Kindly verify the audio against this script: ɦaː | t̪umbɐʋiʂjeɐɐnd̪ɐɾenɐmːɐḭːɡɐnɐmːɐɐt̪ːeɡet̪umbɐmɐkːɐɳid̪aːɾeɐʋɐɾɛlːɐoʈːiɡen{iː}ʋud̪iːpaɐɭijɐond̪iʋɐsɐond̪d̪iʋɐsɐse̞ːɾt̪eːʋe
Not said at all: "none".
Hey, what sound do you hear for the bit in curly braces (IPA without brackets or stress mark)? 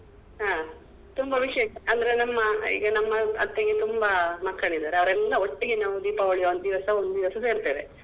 aː